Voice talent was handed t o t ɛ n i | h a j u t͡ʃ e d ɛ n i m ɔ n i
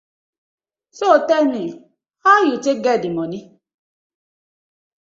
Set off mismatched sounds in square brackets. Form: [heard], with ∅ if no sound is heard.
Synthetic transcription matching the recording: [s] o t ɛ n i | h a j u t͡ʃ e [ɡ] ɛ [d] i m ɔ n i

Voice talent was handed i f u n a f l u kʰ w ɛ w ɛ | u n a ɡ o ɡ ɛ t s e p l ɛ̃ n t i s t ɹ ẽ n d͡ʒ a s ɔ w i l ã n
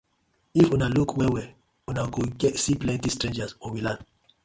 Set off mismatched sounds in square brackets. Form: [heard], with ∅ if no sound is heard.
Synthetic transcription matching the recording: i f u n a [∅] l u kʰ w ɛ w ɛ | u n a ɡ o ɡ ɛ t s [i] p l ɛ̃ n t i s t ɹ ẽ n d͡ʒ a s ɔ w i l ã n

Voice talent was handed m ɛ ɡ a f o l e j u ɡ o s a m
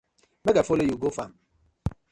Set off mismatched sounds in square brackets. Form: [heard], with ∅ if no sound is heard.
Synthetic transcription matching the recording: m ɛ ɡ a f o l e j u ɡ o [f] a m

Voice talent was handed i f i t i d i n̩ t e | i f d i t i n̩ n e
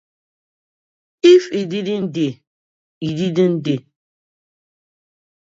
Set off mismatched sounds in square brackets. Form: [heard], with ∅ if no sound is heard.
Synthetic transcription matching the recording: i f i [d] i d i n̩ [d] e | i [∅] d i [d] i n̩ [d] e

